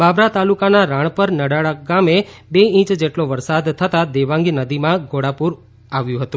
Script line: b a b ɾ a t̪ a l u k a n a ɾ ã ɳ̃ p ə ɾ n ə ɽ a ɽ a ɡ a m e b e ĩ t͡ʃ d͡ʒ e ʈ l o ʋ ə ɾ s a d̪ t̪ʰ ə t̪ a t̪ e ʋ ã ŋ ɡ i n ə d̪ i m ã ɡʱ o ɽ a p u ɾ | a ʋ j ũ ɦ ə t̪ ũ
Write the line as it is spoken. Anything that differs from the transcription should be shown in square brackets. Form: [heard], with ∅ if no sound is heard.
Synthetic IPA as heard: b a b ɾ a t̪ a l u k a n a ɾ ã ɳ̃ p ə ɾ n ə ɽ a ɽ a ɡ a m e b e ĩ t͡ʃ d͡ʒ e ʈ l o ʋ ə ɾ s a d̪ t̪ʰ ə t̪ a [d̪] e ʋ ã ŋ ɡ i n ə d̪ i m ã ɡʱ o ɽ a p u ɾ | a ʋ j ũ ɦ ə t̪ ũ